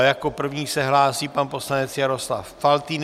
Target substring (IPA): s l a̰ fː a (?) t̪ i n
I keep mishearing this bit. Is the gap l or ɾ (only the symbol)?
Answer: l